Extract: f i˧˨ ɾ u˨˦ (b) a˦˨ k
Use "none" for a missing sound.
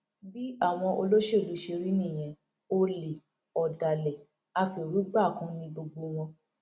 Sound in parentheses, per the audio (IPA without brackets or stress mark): ɡ͡b